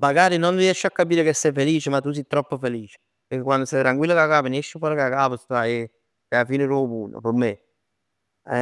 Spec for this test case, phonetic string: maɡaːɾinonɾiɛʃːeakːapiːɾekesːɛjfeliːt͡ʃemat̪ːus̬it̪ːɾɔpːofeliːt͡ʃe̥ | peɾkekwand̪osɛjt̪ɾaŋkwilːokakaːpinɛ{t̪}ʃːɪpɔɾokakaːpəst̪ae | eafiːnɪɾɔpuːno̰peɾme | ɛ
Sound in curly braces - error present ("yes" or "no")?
yes